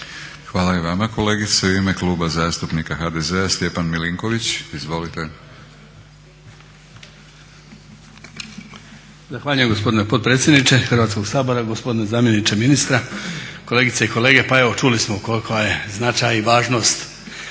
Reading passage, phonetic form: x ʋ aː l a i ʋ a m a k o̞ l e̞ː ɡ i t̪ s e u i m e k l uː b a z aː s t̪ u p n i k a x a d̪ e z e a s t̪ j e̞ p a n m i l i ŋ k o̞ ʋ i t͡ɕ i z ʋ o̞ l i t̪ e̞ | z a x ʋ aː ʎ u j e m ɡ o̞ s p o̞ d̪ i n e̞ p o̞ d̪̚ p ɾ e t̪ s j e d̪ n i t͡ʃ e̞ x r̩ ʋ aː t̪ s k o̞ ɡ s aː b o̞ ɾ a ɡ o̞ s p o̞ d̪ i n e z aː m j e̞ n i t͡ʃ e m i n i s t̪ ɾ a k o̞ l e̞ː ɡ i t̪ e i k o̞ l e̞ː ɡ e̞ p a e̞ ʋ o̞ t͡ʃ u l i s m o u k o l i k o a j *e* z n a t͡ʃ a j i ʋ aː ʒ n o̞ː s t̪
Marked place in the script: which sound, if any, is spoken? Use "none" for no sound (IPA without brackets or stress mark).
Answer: e